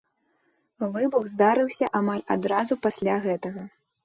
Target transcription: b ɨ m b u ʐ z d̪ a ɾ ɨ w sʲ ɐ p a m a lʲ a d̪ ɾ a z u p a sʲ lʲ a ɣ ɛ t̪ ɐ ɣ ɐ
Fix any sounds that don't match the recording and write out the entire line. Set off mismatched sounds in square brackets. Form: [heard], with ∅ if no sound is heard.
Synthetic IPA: [v] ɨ [∅] b u [ɣ] z d̪ a ɾ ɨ w sʲ ɐ [ʔ] a m a lʲ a d̪ ɾ a z u p a sʲ lʲ a ɣ ɛ t̪ ɐ ɣ ɐ